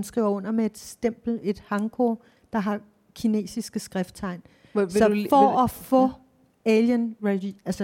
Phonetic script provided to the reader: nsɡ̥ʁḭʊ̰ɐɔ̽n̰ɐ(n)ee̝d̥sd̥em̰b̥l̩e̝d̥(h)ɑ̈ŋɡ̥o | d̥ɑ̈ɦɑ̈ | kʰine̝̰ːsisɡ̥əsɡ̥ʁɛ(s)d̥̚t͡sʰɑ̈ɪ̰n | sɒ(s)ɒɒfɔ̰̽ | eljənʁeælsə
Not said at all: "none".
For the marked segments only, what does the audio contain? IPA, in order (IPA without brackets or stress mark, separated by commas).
m, h, f, f